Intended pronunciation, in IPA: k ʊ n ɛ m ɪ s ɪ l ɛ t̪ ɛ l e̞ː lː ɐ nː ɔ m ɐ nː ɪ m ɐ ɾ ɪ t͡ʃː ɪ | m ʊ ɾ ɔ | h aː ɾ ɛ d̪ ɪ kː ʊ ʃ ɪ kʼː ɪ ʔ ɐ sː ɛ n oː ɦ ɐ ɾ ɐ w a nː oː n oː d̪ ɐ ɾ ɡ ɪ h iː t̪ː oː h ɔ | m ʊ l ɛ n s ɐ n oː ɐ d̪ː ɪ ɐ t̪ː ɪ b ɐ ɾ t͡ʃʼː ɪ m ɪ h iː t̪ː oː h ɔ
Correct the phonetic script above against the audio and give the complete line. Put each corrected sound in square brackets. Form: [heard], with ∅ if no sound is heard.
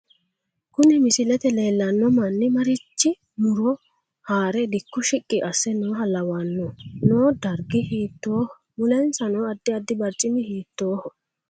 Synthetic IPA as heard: k ʊ n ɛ m ɪ s ɪ l ɛ t̪ ɛ l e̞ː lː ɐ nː ɔ m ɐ nː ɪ m ɐ ɾ ɪ t͡ʃː ɪ | m ʊ ɾ ɔ | h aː ɾ ɛ d̪ ɪ kː ʊ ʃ ɪ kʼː ɪ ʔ ɐ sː ɛ n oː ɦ ɐ [l] ɐ w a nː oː n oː d̪ ɐ ɾ ɡ ɪ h iː t̪ː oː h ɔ | m ʊ l ɛ n s ɐ n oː ɐ d̪ː ɪ ɐ [d̪ː] ɪ b ɐ ɾ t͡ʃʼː ɪ m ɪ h iː t̪ː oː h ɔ